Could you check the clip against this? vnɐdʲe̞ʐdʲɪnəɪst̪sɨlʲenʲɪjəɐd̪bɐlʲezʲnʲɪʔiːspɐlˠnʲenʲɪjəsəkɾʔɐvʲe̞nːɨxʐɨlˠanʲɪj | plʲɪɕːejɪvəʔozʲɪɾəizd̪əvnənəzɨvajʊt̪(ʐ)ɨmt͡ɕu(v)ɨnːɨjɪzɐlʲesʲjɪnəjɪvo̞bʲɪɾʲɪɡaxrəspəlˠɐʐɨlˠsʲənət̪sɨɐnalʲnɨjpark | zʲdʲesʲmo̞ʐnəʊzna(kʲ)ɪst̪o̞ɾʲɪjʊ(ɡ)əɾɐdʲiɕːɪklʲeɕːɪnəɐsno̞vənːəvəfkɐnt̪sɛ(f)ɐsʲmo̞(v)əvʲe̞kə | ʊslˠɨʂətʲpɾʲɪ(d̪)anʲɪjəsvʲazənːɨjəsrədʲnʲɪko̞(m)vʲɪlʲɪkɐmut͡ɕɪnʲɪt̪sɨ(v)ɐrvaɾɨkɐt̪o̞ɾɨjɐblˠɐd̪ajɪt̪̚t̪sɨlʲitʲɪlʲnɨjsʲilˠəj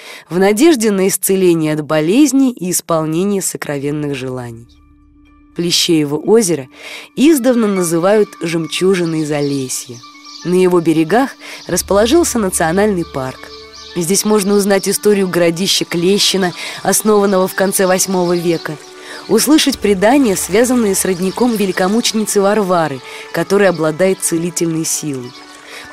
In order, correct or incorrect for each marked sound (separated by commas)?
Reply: correct, incorrect, incorrect, correct, incorrect, correct, correct, correct, correct